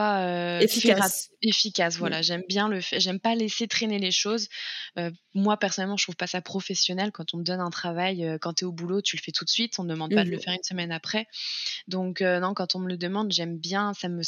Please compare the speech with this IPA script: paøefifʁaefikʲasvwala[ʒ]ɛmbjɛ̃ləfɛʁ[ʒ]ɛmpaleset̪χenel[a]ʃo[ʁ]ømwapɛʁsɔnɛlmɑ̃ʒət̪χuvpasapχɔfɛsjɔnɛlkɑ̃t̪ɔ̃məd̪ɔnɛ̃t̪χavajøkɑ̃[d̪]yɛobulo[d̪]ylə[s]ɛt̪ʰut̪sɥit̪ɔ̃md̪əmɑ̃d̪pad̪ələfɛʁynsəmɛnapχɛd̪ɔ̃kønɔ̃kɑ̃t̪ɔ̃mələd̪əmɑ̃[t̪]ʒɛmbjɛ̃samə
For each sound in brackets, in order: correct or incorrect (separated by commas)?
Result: correct, correct, incorrect, incorrect, incorrect, incorrect, incorrect, incorrect